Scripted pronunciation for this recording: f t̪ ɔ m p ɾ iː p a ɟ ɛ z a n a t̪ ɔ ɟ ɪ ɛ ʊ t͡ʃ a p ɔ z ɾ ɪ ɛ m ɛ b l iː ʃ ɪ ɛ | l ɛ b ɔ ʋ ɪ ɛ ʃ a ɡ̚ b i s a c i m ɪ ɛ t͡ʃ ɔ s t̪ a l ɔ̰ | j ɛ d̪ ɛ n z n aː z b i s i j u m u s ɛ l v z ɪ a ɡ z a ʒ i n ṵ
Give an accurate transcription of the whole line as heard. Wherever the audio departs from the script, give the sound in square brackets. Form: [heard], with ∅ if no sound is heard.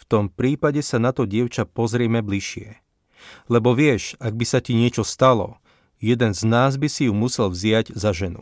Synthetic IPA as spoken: f t̪ ɔ m p ɾ iː p a ɟ ɛ [s] a n a t̪ ɔ ɟ ɪ ɛ ʊ t͡ʃ a p ɔ z ɾ ɪ ɛ m ɛ b l [i] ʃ ɪ ɛ | l ɛ b ɔ ʋ ɪ ɛ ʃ a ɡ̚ b i s a c i [ɲ] ɪ ɛ t͡ʃ ɔ s t̪ a l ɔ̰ | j ɛ d̪ ɛ n z n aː z b i s i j u m u s ɛ l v z ɪ a [ɟ] z a ʒ [ɛ] n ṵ